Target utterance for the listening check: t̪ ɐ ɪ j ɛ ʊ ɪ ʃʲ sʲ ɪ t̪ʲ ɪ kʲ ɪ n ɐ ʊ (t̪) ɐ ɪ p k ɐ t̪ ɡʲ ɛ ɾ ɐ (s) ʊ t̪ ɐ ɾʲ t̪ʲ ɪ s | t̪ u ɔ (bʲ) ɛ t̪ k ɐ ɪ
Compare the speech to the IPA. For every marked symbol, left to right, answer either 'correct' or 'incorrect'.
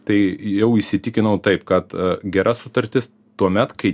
correct, correct, incorrect: mʲ

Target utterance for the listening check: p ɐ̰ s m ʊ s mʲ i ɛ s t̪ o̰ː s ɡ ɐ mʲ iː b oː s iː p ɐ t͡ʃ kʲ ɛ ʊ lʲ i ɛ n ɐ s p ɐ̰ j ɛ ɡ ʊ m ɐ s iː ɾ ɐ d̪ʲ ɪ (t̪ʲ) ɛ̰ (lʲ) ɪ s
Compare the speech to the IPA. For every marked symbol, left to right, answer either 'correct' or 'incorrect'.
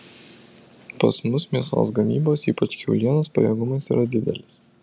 incorrect: d̪ʲ, correct

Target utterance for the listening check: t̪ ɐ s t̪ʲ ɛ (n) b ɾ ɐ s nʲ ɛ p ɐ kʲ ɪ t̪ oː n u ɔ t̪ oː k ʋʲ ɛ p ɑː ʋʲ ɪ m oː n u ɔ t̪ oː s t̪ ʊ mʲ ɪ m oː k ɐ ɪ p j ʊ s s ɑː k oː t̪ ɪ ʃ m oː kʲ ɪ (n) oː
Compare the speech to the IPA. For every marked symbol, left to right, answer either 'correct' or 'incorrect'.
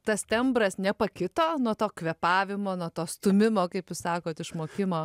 incorrect: m, incorrect: m

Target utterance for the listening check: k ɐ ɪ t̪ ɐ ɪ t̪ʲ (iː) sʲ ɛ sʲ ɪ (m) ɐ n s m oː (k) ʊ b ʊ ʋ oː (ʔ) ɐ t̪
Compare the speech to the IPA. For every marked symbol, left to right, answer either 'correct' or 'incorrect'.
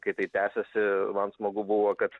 incorrect: æː, correct, incorrect: ɡ, incorrect: k

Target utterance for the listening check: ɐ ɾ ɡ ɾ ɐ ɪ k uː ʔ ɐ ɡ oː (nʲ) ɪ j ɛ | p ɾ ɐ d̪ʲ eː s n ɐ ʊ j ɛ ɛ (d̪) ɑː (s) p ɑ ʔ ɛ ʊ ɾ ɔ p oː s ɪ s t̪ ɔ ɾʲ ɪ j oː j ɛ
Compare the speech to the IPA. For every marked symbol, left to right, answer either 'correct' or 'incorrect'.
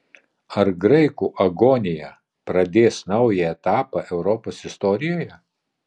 correct, incorrect: t̪, incorrect: none

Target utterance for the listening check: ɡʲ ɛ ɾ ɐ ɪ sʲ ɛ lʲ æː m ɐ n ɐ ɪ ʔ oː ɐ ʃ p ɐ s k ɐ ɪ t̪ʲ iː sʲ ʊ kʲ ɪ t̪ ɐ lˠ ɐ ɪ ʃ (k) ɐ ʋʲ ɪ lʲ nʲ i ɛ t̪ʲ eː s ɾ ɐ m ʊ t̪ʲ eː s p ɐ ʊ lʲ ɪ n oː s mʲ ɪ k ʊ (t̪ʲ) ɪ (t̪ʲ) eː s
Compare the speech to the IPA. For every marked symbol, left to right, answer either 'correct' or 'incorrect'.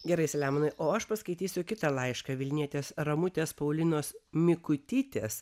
correct, correct, correct

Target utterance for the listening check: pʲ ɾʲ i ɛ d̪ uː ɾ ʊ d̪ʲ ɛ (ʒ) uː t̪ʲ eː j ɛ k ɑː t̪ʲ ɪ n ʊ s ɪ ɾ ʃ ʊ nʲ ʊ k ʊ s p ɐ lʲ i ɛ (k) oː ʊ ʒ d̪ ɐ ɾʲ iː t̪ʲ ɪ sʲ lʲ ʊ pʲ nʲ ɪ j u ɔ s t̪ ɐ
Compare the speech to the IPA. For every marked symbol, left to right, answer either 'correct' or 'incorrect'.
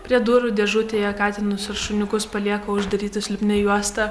correct, correct

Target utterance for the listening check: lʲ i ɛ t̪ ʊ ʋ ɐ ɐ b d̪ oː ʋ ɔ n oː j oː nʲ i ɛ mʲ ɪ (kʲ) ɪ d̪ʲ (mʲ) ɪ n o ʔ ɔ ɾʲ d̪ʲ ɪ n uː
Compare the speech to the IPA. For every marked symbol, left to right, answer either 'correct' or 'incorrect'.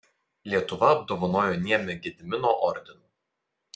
incorrect: ɡʲ, correct

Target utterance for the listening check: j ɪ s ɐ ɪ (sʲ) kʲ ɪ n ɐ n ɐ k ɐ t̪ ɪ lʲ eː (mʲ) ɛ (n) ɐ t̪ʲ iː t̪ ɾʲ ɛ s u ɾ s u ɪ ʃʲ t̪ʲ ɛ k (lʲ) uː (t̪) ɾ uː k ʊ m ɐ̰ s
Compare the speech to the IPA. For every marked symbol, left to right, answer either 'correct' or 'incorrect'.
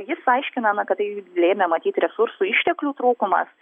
incorrect: ʃʲ, correct, incorrect: m, correct, correct

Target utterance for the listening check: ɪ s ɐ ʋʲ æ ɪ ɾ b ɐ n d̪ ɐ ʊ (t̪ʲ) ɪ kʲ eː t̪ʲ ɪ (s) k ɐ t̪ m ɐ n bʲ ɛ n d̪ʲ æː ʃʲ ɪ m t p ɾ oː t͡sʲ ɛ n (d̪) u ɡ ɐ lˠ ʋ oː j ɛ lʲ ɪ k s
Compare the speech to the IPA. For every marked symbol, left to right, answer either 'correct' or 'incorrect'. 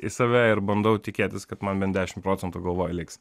correct, correct, incorrect: t̪

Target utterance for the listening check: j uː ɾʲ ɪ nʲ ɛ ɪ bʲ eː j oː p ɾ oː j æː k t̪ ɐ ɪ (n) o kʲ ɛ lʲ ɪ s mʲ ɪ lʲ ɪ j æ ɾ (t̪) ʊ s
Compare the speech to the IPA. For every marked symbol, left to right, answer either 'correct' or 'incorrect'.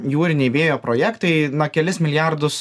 correct, incorrect: d̪

